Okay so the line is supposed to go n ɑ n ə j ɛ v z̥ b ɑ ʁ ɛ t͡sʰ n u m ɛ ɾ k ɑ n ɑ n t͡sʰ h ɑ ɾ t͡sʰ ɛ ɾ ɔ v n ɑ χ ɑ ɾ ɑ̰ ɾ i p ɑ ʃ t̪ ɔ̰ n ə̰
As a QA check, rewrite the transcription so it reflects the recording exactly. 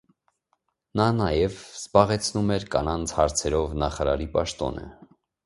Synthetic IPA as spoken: n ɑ n ɑ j ɛ v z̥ b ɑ ʁ ɛ t͡sʰ n u m ɛ ɾ k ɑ n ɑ n t͡sʰ h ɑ ɾ t͡sʰ ɛ ɾ ɔ v n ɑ χ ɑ ɾ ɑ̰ ɾ i p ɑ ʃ t̪ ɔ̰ n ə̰